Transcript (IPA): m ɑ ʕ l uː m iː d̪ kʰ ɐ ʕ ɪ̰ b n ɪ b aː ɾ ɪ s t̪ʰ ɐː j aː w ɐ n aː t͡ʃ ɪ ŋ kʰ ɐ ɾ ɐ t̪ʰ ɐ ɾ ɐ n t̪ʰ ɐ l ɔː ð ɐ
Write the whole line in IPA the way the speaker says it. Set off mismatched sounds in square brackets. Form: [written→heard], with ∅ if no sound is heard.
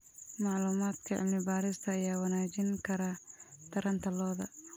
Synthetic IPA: m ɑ ʕ l uː m [iː→aː] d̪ kʰ ɐ ʕ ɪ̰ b n ɪ b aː ɾ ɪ s t̪ʰ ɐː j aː w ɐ n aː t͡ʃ ɪ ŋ kʰ ɐ ɾ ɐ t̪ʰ ɐ ɾ ɐ n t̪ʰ ɐ l ɔː ð ɐ